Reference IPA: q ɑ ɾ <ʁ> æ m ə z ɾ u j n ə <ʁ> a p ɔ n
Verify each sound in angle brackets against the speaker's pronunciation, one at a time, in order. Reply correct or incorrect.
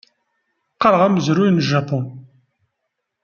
correct, incorrect: ʒ

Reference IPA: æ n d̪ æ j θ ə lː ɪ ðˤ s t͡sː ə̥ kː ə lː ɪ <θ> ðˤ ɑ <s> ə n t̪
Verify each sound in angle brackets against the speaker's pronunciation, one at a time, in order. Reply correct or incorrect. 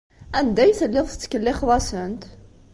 incorrect: χ, correct

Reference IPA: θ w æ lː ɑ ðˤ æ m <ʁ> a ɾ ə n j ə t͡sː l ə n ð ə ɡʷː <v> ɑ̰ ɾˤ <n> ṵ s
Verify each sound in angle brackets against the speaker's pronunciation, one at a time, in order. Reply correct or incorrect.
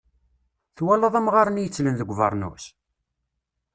correct, correct, correct

